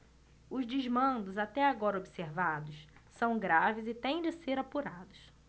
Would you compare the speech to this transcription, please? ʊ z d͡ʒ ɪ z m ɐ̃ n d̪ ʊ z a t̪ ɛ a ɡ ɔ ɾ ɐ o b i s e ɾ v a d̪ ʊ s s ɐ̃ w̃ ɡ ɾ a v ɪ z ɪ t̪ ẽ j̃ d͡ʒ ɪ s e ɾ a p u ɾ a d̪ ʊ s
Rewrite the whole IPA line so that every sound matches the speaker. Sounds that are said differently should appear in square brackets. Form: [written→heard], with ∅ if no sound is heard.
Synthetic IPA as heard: ʊ z d͡ʒ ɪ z m ɐ̃ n d̪ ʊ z a t̪ ɛ a ɡ ɔ ɾ ɐ o b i s e ɾ v a d̪ ʊ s s ɐ̃ w̃ ɡ ɾ a v ɪ z ɪ t̪ ẽ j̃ d͡ʒ ɪ s e ɾ a p u ɾ a d̪ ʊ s

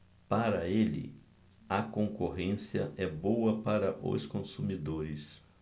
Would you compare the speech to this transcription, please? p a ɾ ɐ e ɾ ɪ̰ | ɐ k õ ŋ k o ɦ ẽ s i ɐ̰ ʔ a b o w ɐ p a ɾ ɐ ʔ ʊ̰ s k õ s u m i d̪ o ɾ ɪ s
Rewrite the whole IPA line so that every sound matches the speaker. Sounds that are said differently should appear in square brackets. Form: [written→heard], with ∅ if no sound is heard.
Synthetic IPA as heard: p a ɾ ɐ e [ɾ→l] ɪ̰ | ɐ k õ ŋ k o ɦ ẽ s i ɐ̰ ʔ [a→ɛ] b o w ɐ p a ɾ ɐ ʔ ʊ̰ s k õ s u m i d̪ o ɾ ɪ s

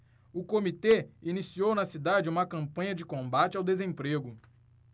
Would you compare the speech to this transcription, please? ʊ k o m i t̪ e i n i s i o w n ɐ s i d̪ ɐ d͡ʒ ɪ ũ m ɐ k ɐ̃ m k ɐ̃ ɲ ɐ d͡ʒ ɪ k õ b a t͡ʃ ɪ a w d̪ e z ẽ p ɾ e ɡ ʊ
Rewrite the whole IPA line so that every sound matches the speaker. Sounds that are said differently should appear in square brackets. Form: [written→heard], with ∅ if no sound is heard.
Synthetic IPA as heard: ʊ k o m i t̪ e i n i s i o w n ɐ s i d̪ [ɐ→a] d͡ʒ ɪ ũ m ɐ k ɐ̃ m [k→p] ɐ̃ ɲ ɐ d͡ʒ ɪ k õ b a t͡ʃ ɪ a w d̪ e z ẽ p ɾ e ɡ ʊ

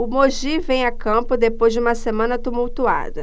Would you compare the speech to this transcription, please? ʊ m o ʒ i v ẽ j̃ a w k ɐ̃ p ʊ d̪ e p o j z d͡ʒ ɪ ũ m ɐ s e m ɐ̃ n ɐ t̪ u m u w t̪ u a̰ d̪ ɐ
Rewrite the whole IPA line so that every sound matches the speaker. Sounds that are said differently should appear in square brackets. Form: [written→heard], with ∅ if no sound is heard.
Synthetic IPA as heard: ʊ m o ʒ i v ẽ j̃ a [w→∅] k ɐ̃ p ʊ d̪ e p o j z d͡ʒ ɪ ũ m ɐ s e m ɐ̃ n ɐ t̪ u m u w t̪ u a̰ d̪ ɐ

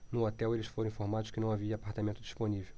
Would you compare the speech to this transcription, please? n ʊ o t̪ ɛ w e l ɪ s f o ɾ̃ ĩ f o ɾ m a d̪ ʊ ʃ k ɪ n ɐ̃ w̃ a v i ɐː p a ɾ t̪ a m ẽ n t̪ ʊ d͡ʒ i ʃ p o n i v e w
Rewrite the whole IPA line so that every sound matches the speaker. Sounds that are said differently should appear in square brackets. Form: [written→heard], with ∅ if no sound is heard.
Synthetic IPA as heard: n ʊ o t̪ ɛ w e l ɪ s f o ɾ̃ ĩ f o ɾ m a d̪ ʊ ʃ k ɪ n ɐ̃ w̃ a v i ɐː p a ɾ t̪ a m ẽ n t̪ ʊ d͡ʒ i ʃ p o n i v e w

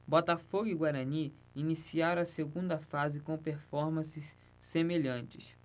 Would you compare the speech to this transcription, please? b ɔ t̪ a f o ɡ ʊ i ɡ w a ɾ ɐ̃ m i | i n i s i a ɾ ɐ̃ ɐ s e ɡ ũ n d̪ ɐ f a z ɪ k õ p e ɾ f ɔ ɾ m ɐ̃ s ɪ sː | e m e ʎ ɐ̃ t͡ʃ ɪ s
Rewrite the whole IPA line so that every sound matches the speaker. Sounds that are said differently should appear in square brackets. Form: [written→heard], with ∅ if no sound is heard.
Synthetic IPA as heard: b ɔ t̪ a f o ɡ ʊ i ɡ w a ɾ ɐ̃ [m→n] i | i n i s i a ɾ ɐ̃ ɐ s e ɡ ũ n d̪ ɐ f a z ɪ k õ p e ɾ f ɔ ɾ m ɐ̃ s ɪ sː | e m e ʎ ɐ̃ t͡ʃ ɪ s

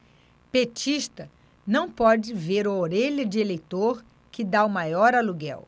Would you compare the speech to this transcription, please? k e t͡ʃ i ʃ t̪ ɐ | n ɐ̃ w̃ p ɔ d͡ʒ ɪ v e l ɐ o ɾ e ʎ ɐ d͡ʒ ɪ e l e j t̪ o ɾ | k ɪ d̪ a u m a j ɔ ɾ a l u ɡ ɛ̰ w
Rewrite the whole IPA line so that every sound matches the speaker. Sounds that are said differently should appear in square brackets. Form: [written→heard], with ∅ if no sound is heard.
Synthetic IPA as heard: [k→p] e t͡ʃ i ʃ t̪ ɐ | n ɐ̃ w̃ p ɔ d͡ʒ ɪ v e [l→ɾ] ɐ o ɾ e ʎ ɐ d͡ʒ ɪ e l e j t̪ o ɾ | k ɪ d̪ a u m a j ɔ ɾ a l u ɡ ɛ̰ w

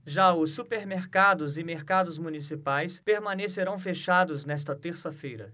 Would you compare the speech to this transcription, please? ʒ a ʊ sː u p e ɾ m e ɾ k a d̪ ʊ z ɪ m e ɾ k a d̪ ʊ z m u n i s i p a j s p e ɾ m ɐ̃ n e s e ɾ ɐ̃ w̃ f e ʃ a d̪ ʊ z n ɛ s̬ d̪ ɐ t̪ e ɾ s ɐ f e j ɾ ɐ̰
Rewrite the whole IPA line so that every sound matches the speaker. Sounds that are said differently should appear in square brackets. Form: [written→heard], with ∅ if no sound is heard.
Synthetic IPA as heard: ʒ a ʊ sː u p e ɾ m e ɾ k a d̪ ʊ z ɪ m e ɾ k a d̪ ʊ z m u n i s i p a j s p e ɾ m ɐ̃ n e s e ɾ ɐ̃ w̃ f e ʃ a d̪ ʊ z n ɛ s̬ [d̪→t̪] ɐ t̪ e ɾ s ɐ f e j ɾ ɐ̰

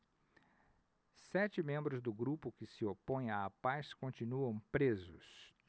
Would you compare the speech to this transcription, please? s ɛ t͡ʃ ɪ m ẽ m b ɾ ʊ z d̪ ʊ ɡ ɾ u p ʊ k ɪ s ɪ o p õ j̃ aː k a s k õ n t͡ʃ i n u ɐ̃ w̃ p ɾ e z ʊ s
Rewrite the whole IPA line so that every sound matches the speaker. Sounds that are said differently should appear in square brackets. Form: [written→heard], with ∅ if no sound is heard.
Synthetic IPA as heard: s ɛ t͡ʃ ɪ m ẽ m b ɾ ʊ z d̪ ʊ ɡ ɾ u p ʊ k ɪ s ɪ o p õ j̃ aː [k→p] a s k õ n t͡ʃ i n u ɐ̃ w̃ p ɾ e z ʊ s

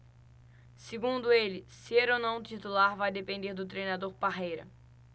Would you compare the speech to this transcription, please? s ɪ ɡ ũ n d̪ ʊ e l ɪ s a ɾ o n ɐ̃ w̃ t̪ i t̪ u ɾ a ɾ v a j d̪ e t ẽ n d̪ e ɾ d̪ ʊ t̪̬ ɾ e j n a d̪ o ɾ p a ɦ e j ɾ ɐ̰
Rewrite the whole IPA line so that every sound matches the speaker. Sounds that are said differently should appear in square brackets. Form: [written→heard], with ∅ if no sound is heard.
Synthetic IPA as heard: s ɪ ɡ ũ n d̪ ʊ e l ɪ s [a→e] ɾ o n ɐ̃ w̃ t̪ i t̪ u [ɾ→l] a ɾ v a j d̪ e [t→p] ẽ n d̪ e ɾ d̪ ʊ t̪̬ ɾ e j n a d̪ o ɾ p a ɦ e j ɾ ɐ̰

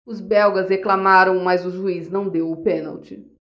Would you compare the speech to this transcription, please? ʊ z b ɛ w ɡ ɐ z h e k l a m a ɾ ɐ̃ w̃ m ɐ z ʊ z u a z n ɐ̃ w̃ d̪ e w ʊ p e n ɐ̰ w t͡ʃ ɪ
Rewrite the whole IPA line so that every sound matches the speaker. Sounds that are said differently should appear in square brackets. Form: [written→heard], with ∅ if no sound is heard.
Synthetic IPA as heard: ʊ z b ɛ w ɡ ɐ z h e k l a m a ɾ ɐ̃ w̃ m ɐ z ʊ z u [a→i] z n ɐ̃ w̃ d̪ e w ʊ p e n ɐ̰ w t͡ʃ ɪ

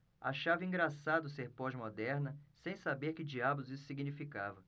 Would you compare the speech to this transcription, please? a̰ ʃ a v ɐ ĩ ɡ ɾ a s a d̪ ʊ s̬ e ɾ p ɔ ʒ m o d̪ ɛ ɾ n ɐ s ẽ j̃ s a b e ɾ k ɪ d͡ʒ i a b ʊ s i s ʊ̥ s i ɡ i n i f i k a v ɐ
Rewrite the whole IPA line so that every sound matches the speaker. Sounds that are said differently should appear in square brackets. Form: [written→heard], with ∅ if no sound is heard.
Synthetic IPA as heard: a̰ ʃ a v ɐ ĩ ɡ ɾ a s a d̪ ʊ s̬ e ɾ p ɔ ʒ m o d̪ ɛ ɾ n ɐ s ẽ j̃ s a b e ɾ k ɪ d͡ʒ i a b ʊ [s→z] i s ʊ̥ s i ɡ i n i f i k a v ɐ

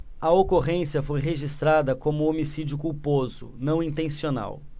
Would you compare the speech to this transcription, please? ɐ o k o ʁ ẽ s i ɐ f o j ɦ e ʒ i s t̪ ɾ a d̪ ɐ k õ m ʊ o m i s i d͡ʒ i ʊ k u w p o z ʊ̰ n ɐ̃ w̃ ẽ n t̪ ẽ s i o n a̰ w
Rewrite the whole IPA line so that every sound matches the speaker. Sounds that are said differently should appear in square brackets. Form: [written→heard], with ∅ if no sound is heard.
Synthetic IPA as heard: ɐ o k o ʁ ẽ s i ɐ f o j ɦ e ʒ i s t̪ ɾ a d̪ ɐ k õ m ʊ o m i s i d͡ʒ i ʊ k u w p o z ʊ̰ n ɐ̃ w̃ [ẽ→ĩ] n t̪ ẽ s i o n a̰ w

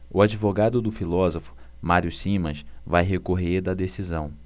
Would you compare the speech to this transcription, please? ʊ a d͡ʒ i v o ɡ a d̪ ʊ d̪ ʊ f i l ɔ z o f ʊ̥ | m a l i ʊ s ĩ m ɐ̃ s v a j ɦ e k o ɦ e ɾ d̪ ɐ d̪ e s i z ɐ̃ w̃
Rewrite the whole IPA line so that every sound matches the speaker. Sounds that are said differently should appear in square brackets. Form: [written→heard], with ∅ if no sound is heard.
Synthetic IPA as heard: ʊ a d͡ʒ i v o ɡ a d̪ ʊ d̪ ʊ f i l ɔ z o f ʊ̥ | m a [l→ɾ] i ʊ s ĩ m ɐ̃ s v a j ɦ e k o ɦ e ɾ d̪ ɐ d̪ e s i z ɐ̃ w̃

